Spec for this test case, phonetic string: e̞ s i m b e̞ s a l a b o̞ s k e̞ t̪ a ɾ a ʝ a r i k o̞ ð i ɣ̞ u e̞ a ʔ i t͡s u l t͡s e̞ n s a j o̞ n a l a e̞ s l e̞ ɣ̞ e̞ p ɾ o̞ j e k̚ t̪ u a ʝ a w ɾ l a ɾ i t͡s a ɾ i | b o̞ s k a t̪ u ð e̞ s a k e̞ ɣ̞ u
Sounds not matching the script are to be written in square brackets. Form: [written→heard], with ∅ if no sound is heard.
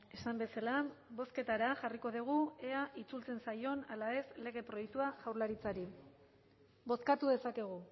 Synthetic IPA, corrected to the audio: e̞ s [i→a] m b e̞ s a l a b o̞ s k e̞ t̪ a ɾ a ʝ a r i k o̞ ð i ɣ̞ u e̞ a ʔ i t͡s u l t͡s e̞ n s a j o̞ n a l a e̞ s l e̞ ɣ̞ e̞ p ɾ o̞ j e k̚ t̪ u a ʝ a w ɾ l a ɾ i t͡s a ɾ i | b o̞ s k a t̪ u ð e̞ s a k e̞ ɣ̞ u